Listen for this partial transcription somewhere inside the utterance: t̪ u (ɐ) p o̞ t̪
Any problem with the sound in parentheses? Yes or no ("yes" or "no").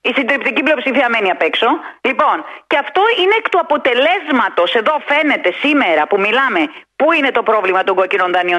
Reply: no